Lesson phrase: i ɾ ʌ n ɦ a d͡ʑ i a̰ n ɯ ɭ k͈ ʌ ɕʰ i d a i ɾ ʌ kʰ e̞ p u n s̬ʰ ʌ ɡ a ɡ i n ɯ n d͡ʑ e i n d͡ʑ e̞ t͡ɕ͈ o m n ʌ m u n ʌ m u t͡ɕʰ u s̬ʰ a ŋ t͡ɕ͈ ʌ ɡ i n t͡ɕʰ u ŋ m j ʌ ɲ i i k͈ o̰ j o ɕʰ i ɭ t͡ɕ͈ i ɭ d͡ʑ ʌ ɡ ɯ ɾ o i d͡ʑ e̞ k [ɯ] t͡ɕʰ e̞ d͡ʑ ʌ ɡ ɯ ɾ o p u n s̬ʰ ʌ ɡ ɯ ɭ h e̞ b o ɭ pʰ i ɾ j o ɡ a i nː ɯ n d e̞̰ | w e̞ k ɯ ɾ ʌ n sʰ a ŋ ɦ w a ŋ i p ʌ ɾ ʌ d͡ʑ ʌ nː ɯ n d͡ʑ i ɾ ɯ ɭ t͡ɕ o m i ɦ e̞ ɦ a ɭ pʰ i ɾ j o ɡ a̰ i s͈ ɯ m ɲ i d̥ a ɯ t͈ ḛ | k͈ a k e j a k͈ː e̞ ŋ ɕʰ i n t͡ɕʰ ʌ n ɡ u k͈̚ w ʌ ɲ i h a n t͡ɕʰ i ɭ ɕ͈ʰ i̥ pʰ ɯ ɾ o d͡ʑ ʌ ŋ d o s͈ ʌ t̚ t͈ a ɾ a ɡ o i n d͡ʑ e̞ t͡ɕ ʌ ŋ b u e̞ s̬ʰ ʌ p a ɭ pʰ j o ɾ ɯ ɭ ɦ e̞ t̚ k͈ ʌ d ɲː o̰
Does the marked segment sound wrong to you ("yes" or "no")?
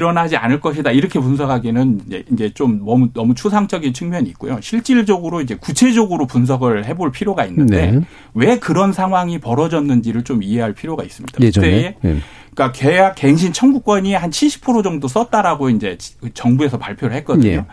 yes